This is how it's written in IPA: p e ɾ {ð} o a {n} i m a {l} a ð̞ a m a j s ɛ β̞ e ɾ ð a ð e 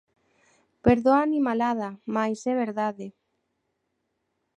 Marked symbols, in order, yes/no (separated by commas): yes, yes, yes